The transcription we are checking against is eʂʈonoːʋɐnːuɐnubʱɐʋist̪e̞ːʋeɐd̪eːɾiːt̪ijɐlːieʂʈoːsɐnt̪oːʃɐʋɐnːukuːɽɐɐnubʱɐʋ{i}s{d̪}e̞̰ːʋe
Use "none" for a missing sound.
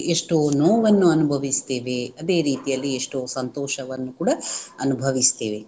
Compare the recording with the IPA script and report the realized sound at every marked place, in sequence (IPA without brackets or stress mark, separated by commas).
i, t̪